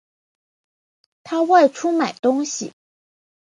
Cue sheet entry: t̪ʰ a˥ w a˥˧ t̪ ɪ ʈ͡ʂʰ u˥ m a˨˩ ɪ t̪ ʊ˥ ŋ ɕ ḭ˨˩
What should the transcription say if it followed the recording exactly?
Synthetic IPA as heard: t̪ʰ a˥ w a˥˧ ɪ ʈ͡ʂʰ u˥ m a˨˩ ɪ t̪ ʊ˥ ŋ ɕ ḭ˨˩